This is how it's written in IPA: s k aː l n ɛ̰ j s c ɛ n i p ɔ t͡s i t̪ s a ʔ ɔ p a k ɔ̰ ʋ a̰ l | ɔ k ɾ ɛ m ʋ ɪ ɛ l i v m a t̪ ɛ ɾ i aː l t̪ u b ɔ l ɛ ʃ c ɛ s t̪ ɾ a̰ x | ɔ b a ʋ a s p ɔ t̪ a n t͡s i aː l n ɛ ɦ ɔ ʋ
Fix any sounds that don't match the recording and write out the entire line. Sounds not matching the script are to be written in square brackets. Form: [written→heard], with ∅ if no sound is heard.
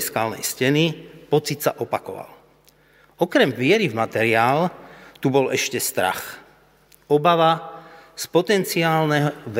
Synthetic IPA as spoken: s k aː l n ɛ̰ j s c ɛ n i p ɔ t͡s i t̪ s a ʔ ɔ p a k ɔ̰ ʋ a̰ l | ɔ k ɾ ɛ m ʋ ɪ ɛ [l→ɾ] i v m a t̪ ɛ ɾ i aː l t̪ u b ɔ l ɛ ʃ c ɛ s t̪ ɾ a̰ x | ɔ b a ʋ a s p ɔ t̪ [a→ɛ] n t͡s i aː l n ɛ ɦ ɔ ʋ